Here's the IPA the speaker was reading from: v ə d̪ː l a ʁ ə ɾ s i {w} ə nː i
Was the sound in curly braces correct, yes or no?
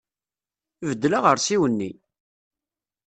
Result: yes